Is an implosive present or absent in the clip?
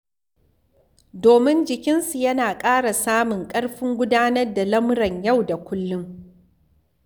absent